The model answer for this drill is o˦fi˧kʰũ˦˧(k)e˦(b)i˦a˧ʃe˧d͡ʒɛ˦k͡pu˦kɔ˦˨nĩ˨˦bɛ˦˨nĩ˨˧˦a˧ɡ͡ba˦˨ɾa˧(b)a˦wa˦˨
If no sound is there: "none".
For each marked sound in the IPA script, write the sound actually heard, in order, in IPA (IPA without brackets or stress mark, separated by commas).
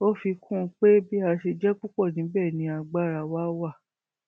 k͡p, b, w